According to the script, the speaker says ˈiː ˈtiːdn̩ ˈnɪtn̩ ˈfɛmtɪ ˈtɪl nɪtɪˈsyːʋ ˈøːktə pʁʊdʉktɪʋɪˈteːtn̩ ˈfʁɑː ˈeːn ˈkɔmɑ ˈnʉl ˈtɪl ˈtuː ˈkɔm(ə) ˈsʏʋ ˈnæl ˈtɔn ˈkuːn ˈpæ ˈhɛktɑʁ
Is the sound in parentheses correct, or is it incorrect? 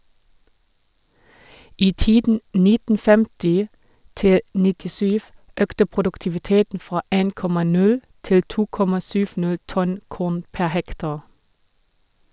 incorrect